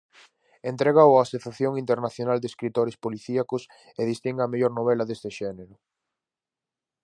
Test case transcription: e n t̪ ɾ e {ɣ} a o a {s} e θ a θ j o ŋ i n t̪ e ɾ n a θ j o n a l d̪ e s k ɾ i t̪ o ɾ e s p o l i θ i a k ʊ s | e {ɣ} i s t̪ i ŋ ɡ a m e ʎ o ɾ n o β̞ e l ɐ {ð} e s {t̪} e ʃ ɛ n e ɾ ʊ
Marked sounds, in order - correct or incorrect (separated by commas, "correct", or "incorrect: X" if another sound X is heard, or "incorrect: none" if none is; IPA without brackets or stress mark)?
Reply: correct, correct, incorrect: ð, correct, correct